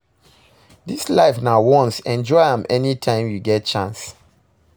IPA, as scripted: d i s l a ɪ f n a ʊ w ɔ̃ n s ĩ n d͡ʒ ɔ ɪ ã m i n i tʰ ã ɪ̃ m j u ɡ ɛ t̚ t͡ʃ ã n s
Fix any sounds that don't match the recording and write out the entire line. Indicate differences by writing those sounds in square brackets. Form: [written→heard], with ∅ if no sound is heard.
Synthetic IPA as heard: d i s l a ɪ f n a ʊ w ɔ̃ n s [ĩ→ɛ̃] n d͡ʒ ɔ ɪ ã m [i→ɛ] n i tʰ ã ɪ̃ m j u ɡ ɛ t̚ t͡ʃ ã n s